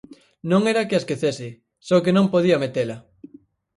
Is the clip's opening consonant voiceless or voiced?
voiced